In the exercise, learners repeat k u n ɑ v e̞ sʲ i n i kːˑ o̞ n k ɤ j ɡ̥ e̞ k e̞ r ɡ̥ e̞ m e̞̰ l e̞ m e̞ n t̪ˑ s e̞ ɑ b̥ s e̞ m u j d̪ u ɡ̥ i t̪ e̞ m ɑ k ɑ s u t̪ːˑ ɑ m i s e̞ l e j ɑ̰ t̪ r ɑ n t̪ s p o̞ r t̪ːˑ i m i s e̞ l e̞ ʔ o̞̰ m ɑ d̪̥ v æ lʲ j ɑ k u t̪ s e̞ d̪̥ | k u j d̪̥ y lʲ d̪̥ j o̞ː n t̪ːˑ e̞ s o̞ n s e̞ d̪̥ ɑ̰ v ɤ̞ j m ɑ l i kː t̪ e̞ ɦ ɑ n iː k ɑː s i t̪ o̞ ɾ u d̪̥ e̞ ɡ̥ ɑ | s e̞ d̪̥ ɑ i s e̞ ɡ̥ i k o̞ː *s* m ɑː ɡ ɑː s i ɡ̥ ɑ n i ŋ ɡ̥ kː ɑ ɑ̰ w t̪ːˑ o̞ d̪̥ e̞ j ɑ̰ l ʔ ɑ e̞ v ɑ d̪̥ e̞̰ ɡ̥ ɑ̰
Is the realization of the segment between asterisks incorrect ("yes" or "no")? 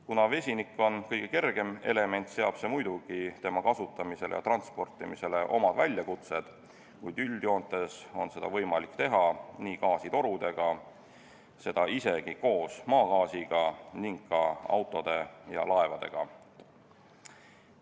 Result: no